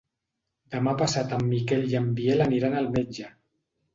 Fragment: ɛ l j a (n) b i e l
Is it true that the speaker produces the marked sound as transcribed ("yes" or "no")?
no